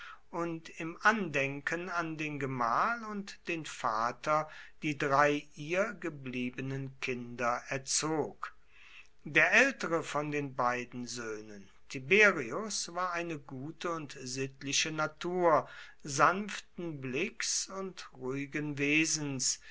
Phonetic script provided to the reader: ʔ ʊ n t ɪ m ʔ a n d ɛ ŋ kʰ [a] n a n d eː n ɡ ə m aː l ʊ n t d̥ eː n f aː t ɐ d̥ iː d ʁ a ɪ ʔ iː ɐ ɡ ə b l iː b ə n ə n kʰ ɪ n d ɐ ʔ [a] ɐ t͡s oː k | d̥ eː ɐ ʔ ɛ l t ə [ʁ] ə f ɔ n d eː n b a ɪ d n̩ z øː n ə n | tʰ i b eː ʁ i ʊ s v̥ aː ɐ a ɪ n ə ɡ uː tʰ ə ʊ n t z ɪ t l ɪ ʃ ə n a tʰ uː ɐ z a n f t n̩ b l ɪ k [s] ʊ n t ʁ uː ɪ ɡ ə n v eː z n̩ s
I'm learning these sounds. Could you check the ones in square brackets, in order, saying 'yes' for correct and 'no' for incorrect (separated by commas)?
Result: no, no, yes, yes